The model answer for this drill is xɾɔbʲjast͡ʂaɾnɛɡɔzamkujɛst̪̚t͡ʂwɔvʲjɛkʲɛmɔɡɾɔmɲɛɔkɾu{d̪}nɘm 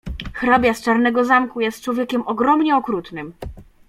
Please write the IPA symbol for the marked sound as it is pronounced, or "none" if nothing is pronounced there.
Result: t̪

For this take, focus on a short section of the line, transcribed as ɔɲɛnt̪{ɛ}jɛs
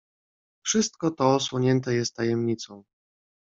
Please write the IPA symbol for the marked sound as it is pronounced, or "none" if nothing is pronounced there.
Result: ɛ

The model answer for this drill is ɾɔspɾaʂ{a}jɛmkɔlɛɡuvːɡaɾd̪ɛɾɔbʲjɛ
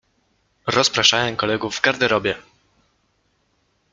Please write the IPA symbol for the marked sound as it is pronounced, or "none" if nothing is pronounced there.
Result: a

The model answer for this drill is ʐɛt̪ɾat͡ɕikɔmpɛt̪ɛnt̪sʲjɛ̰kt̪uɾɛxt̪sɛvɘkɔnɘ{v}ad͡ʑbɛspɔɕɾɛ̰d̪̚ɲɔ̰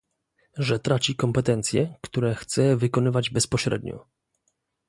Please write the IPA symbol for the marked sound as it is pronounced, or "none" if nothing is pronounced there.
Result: v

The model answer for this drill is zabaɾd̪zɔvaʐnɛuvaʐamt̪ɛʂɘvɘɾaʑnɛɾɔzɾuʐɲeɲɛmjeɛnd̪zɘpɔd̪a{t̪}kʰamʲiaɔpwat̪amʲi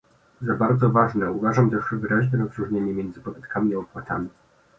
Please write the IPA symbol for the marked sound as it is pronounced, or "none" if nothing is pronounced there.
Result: t̪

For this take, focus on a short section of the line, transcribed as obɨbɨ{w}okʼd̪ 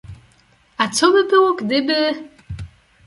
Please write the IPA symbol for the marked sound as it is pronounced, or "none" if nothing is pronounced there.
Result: w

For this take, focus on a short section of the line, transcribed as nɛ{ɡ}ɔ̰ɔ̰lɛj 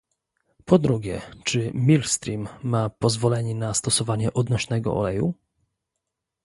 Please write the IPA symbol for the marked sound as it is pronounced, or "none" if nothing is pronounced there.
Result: ɡ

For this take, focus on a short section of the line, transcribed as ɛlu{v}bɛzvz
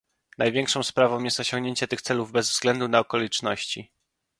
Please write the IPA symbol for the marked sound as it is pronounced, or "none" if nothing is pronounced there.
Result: v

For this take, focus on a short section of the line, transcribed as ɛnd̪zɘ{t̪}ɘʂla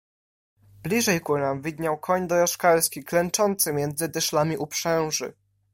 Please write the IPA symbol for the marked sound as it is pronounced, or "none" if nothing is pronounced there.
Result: d̪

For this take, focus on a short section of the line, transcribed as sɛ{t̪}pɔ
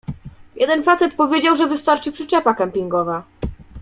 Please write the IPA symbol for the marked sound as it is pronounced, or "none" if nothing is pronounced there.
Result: t̪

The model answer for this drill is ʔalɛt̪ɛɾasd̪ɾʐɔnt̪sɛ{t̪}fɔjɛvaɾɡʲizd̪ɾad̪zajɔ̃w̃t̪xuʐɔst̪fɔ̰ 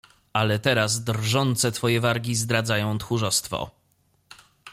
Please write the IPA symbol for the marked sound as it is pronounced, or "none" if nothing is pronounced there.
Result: t̪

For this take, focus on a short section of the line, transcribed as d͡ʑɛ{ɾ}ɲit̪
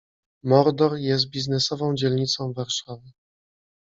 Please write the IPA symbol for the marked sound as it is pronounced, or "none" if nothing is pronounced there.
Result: l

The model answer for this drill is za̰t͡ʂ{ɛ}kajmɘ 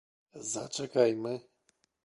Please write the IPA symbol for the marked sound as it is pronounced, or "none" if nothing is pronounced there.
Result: ɛ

